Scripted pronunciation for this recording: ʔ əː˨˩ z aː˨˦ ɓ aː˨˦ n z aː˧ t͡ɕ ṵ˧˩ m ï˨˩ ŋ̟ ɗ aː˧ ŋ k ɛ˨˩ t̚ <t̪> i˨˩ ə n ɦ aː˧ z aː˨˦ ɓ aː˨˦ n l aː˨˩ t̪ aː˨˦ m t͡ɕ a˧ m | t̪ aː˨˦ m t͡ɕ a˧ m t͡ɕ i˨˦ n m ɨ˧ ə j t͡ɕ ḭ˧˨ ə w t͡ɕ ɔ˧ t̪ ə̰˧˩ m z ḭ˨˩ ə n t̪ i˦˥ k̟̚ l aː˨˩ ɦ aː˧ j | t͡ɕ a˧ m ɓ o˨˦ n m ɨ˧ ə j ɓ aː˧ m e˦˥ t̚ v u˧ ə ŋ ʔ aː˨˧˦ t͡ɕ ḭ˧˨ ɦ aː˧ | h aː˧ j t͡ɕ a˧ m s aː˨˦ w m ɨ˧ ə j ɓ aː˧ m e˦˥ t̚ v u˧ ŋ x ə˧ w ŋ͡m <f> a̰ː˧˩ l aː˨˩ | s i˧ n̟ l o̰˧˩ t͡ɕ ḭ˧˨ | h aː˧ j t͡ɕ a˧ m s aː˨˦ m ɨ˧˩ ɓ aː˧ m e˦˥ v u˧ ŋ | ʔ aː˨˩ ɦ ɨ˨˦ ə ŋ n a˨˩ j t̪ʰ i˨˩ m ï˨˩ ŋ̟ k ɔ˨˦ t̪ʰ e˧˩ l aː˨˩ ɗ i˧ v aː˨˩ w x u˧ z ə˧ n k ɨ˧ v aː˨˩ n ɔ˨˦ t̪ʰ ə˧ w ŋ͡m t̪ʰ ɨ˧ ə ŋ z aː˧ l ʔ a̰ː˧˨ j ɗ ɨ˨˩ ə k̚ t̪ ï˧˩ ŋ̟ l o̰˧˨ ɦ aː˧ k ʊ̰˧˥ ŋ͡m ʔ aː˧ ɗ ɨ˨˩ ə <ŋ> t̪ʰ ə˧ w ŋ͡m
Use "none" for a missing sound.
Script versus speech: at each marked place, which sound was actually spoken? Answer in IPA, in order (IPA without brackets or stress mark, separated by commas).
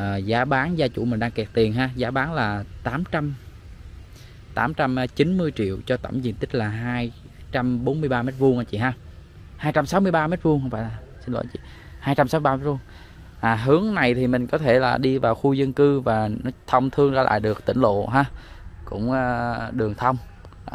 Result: t̪, f, ŋ